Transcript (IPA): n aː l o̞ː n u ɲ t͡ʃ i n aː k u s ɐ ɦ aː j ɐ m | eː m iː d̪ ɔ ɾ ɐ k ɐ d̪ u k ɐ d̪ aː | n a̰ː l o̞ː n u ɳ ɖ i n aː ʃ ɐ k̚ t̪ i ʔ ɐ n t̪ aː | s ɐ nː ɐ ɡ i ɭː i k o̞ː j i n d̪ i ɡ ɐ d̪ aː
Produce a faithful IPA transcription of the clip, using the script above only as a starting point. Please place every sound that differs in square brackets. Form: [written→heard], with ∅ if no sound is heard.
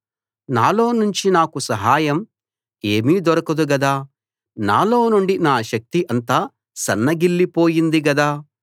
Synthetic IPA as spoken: n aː l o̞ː n u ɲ t͡ʃ i n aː k u s ɐ ɦ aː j ɐ m | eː m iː d̪ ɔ ɾ ɐ k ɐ d̪ u [k→ɡ] ɐ d̪ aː | n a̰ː l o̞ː n u ɳ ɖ i n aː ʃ ɐ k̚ t̪ i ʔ ɐ n t̪ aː | s ɐ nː ɐ ɡ i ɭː i [k→p] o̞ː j i n d̪ i ɡ ɐ d̪ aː